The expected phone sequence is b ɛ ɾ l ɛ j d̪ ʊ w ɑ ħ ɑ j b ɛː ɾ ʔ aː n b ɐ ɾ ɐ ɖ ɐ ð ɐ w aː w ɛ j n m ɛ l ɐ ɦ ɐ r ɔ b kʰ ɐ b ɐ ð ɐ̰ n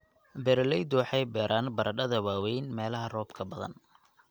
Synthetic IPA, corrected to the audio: b ɛ ɾ l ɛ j d̪ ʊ w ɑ ħ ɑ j b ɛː ɾ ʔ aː n b ɐ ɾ ɐ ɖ ɐ ð ɐ w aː w ɛ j n m ɛː l ɐ ɦ ɐ r ɔː b kʰ ɐ b ɐ ð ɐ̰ n